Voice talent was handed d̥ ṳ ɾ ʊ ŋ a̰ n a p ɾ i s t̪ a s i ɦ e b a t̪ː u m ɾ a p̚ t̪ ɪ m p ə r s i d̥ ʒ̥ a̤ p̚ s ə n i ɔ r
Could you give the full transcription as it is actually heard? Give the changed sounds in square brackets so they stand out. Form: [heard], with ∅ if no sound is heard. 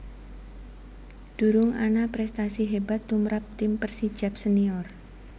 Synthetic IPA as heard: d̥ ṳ ɾ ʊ ŋ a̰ n a p ɾ [ɛ] s t̪ a s i ɦ e b a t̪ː u m ɾ a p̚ t̪ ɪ m p ə r s i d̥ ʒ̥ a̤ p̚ s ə n i ɔ r

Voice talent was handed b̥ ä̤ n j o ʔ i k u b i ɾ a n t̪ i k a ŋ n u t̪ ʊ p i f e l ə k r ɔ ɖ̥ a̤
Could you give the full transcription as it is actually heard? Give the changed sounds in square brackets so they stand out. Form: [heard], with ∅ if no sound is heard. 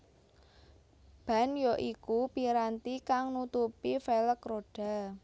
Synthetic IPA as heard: b̥ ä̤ n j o ʔ i k u [p] i ɾ a n t̪ i k a ŋ n u t̪ [u] p i f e l ə k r [o] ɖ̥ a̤

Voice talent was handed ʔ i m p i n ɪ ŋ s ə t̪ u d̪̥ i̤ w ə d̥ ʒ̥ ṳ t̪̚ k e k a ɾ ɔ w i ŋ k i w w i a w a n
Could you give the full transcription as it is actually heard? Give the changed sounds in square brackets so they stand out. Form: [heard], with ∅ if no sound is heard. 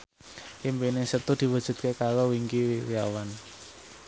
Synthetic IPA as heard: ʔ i m p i n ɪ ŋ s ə t̪ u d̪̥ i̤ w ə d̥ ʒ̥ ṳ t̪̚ k e k a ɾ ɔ w i ŋ k i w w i a w a n

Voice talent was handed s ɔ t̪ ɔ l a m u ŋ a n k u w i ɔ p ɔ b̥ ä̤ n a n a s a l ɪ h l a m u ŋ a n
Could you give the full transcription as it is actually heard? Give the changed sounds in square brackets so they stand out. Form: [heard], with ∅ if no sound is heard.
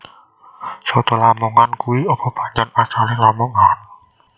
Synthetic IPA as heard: s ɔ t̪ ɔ l a m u ŋ a n k u w i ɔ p ɔ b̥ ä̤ [ɲ] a n a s a l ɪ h l a m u ŋ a n

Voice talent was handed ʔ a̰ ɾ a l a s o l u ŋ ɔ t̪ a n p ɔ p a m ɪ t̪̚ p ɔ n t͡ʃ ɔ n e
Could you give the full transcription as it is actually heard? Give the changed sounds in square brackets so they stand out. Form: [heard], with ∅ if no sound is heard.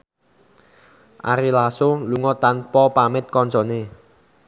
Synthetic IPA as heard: ʔ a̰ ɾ [i] l a s o l u ŋ ɔ t̪ a n p ɔ p a m ɪ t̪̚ [k] ɔ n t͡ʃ ɔ n e

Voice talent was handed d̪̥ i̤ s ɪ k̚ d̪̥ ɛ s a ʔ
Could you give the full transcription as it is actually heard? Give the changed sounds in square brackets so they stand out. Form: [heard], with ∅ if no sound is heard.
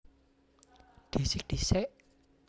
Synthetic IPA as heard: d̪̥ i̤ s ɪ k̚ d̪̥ [i] s [ɛ] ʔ

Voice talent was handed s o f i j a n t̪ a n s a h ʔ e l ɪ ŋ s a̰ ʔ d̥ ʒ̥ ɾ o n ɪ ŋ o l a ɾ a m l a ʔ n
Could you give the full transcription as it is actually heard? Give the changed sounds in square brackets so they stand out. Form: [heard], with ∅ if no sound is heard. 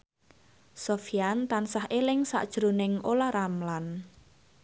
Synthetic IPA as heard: s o f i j a n t̪ a n s a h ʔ e l ɪ ŋ s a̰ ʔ d̥ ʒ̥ ɾ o n ɪ ŋ o l a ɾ a m l a [∅] n

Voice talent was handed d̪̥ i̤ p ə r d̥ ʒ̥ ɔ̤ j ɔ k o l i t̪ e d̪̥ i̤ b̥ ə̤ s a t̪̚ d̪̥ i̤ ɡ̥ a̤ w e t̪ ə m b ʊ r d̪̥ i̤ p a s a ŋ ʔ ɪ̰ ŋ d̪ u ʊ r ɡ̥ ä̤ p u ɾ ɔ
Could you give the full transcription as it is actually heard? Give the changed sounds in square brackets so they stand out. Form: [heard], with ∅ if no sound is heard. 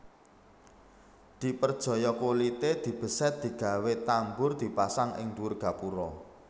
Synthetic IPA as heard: d̪̥ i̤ p ə r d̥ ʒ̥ ɔ̤ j ɔ k o l i t̪ e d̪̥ i̤ b̥ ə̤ s [ɛ] t̪̚ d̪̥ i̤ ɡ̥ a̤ w e t̪ [a] m b ʊ r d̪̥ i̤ p a s a ŋ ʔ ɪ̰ ŋ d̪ u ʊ r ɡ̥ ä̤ p u ɾ ɔ

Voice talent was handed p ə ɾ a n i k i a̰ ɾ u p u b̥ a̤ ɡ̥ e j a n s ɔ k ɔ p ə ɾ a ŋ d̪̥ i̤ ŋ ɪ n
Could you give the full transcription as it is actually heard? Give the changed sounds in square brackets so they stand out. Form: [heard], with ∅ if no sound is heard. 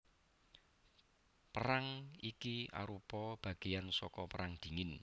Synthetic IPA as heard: p ə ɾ a [ŋ] i k i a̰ ɾ u p [ɔ] b̥ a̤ ɡ̥ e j a n s ɔ k ɔ p ə ɾ a ŋ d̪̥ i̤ ŋ ɪ n

